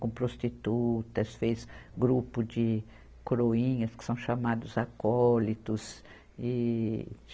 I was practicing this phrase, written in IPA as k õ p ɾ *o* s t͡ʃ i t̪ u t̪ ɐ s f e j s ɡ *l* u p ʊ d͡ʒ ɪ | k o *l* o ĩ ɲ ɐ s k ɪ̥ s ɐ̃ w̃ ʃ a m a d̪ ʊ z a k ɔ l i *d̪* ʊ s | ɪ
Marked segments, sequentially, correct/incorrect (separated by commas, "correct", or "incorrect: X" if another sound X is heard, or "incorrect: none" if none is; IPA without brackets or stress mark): correct, incorrect: ɾ, incorrect: ɾ, incorrect: t̪